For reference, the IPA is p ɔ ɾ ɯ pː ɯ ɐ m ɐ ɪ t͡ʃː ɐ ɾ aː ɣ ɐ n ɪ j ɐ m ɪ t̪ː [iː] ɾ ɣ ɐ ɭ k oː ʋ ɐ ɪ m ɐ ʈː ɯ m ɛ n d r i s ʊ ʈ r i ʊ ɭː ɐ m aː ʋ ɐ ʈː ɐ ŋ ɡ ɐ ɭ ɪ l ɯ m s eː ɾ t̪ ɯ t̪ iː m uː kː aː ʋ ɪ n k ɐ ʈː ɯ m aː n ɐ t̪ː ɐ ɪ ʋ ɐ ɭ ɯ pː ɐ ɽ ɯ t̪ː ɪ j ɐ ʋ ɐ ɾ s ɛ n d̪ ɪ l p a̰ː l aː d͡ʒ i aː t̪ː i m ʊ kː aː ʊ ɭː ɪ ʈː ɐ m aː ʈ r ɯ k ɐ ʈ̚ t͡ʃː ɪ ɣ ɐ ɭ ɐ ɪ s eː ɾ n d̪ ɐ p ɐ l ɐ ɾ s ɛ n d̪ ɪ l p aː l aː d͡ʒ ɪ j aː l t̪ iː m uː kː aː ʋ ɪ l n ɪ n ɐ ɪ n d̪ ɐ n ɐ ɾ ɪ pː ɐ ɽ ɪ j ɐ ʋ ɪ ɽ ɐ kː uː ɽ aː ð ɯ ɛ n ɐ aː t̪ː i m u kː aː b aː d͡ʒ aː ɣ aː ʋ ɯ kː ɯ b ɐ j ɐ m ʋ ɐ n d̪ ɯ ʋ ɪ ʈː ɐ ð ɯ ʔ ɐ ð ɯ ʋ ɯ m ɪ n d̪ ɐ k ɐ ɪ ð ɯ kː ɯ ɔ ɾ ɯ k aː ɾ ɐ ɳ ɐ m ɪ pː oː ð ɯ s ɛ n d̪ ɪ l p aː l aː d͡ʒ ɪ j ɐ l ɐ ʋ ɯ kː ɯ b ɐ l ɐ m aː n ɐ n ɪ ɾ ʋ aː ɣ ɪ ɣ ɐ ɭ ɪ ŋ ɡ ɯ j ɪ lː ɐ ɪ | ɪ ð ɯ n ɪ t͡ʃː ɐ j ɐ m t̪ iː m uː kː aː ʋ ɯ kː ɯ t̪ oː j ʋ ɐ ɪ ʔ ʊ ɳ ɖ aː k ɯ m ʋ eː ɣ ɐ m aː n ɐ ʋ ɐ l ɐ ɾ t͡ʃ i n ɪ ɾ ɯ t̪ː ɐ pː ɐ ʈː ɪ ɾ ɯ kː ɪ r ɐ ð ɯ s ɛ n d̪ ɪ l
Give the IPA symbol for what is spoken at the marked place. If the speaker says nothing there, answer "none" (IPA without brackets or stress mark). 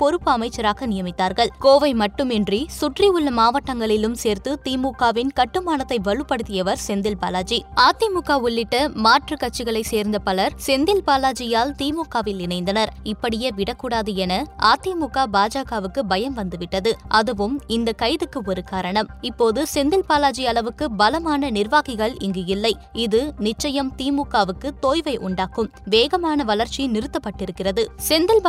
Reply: aː